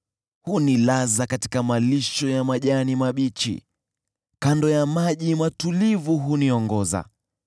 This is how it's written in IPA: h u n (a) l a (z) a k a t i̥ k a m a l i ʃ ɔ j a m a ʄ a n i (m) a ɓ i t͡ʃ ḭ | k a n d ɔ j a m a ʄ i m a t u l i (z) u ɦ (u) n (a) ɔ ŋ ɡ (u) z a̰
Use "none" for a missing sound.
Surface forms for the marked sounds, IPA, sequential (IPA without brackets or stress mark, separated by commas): i, z, m, v, u, i, ɔ